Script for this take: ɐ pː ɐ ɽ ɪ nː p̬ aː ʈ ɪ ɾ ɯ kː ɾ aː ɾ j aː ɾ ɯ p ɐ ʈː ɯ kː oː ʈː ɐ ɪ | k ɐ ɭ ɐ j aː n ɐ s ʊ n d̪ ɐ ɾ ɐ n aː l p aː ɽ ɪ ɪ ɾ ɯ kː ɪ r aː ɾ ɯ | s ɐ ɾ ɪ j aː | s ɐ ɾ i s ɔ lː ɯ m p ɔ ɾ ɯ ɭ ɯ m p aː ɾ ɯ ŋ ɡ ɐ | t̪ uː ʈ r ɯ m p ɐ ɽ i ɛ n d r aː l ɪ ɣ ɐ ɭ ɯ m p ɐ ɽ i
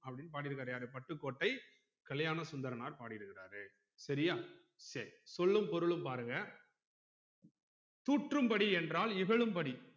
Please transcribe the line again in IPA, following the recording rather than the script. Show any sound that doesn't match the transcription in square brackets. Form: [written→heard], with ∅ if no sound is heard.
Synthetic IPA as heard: ɐ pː ɐ ɽ ɪ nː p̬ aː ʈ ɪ ɾ ɯ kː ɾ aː ɾ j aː ɾ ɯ p ɐ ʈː ɯ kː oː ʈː ɐ ɪ | k ɐ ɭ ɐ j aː n ɐ s ʊ n d̪ ɐ ɾ ɐ n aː [l→ɾ] p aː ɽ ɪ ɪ ɾ ɯ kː ɪ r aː ɾ ɯ | s ɐ ɾ ɪ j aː | s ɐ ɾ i s ɔ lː ɯ m p ɔ ɾ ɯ ɭ ɯ m p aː ɾ ɯ ŋ ɡ ɐ | t̪ uː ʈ r ɯ m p ɐ ɽ i ɛ n d r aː l ɪ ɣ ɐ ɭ ɯ m p ɐ ɽ i